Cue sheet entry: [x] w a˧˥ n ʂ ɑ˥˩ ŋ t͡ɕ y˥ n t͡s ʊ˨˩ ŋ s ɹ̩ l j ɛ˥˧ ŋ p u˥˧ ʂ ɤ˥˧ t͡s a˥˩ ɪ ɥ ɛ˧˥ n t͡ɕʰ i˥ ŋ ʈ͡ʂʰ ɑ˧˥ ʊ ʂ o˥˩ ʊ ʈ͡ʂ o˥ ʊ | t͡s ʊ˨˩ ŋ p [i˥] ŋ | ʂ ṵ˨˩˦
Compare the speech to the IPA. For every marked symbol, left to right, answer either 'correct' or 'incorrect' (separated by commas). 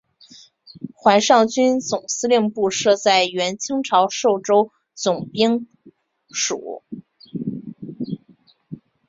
correct, correct